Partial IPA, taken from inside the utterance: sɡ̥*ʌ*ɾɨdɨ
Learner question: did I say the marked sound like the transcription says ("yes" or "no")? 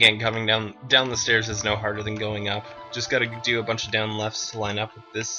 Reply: no